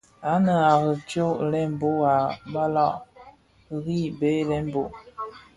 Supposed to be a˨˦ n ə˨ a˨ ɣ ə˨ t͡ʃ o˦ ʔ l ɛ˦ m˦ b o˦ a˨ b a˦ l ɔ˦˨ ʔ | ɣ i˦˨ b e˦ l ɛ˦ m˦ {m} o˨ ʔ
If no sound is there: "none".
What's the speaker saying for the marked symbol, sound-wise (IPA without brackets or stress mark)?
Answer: b